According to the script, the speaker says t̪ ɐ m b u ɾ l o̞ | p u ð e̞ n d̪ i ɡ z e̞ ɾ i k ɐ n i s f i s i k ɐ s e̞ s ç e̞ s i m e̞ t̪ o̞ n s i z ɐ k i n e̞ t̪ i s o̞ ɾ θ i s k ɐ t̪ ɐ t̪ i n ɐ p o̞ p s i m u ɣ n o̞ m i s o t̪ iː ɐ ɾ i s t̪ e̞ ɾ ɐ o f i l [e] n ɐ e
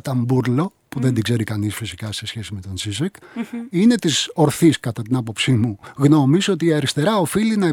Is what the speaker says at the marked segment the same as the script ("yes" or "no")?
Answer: no